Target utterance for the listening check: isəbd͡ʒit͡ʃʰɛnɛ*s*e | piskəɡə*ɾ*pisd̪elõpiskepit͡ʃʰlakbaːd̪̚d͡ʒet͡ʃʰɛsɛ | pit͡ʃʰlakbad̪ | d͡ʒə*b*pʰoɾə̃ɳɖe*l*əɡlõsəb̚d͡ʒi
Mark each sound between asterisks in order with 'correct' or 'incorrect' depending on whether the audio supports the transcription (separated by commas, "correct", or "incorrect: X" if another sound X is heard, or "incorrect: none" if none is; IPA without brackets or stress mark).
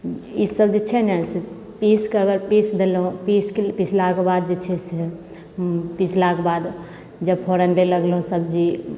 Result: correct, correct, correct, correct